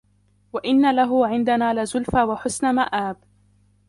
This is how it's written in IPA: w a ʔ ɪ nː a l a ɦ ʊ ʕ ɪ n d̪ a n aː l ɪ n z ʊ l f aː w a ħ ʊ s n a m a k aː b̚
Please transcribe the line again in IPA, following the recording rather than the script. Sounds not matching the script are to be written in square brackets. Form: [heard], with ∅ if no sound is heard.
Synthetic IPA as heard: w a ʔ ɪ nː a l a ɦ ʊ ʕ ɪ n d̪ a n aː l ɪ [∅] z ʊ l f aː w a ħ ʊ s n a m a [ʔ] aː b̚